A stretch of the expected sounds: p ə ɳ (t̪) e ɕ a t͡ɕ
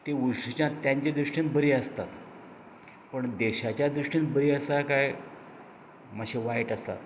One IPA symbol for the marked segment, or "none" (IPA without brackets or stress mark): d̪